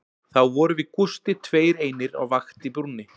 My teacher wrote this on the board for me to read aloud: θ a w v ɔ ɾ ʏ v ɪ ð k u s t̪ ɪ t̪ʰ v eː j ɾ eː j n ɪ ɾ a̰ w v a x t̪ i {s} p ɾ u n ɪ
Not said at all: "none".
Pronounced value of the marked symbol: none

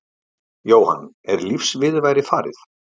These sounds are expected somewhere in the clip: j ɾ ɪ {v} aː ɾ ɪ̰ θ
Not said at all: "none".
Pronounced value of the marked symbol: f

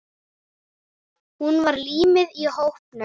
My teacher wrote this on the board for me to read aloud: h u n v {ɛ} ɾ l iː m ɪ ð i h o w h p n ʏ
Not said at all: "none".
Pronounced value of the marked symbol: a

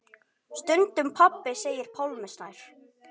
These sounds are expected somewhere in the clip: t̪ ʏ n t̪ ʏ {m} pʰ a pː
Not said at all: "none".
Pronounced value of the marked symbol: m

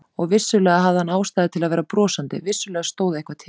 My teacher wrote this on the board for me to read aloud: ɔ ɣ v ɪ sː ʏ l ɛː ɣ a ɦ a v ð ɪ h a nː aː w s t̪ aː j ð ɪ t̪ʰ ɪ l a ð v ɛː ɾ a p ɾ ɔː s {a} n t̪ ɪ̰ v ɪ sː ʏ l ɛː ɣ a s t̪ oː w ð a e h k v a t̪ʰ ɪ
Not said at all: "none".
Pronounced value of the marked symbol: a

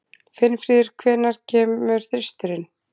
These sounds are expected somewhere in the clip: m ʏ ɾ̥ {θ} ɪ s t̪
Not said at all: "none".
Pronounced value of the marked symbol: θ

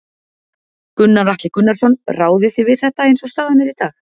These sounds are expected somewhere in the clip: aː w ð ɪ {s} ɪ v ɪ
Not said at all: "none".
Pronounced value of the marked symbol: θ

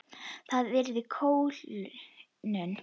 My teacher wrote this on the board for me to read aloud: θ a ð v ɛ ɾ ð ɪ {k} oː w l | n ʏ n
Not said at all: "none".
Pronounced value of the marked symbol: kʰ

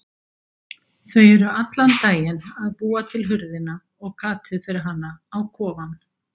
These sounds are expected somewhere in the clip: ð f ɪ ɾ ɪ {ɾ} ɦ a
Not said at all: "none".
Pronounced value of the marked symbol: ɾ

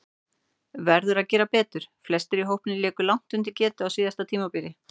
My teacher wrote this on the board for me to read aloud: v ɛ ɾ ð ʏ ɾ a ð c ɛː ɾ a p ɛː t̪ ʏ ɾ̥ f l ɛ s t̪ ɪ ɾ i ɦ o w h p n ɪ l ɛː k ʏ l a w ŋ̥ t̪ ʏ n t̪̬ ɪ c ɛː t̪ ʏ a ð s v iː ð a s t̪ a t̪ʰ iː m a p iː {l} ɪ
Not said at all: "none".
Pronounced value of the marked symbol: ɾ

